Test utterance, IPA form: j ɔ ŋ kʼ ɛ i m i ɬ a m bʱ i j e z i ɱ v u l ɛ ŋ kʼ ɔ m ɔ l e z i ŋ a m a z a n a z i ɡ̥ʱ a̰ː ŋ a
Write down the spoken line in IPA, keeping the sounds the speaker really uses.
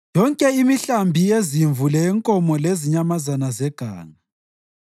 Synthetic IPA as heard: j ɔ ŋ kʼ ɛ i m i ɬ a m bʱ i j e z i ɱ v u l ɛ ŋ kʼ ɔ m ɔ l e z i ɲ a m a z a n a z ɛ ɡ̥ʱ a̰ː ŋ a